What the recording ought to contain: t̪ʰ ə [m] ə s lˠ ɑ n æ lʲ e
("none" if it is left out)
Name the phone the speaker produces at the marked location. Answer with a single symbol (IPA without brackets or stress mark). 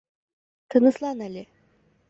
n